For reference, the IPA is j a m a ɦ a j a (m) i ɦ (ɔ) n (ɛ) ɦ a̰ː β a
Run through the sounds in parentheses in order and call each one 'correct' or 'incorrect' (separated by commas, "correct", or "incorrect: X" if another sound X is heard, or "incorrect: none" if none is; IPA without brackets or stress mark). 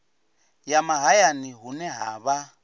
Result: incorrect: n, incorrect: u, correct